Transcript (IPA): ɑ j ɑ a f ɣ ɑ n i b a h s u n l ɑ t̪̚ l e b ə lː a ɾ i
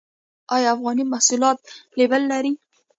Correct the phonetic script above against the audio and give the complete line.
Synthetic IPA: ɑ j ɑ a f ɣ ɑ n i m a h s u l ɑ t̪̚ l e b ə lː a ɾ i